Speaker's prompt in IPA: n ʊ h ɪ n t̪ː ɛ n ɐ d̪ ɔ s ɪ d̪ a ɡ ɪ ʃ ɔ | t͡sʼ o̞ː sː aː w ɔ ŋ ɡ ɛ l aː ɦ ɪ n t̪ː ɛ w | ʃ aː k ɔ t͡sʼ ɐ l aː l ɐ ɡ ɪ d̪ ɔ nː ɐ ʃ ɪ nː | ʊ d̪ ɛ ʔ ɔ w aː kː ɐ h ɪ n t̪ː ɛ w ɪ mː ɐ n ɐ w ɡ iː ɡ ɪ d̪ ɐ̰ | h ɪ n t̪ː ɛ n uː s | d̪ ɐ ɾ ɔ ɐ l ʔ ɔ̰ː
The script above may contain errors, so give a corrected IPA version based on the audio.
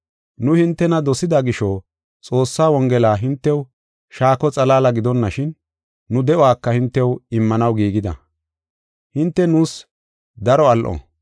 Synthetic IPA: n ʊ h ɪ n t̪ː ɛ n ɐ d̪ ɔ s ɪ d̪ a ɡ ɪ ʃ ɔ | t͡sʼ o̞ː sː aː w ɔ ŋ ɡ ɛ l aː ɦ ɪ n t̪ː ɛ w | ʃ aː k ɔ t͡sʼ ɐ l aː l ɐ ɡ ɪ d̪ ɔ nː ɐ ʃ ɪ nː | ʊ d̪ ɛ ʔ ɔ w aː kː ɐ h ɪ n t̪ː ɛ w ɪ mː ɐ n ɐ w ɡ iː ɡ ɪ d̪ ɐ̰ | h ɪ n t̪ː ɛ n uː s | d̪ ɐ ɾ ɔ ɐ l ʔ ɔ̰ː